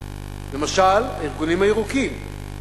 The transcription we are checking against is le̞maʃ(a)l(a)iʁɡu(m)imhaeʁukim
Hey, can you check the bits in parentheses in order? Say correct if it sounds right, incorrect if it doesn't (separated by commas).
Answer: correct, correct, incorrect